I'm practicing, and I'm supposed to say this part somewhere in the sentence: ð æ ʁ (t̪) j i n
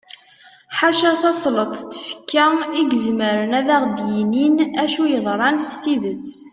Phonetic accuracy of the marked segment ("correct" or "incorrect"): incorrect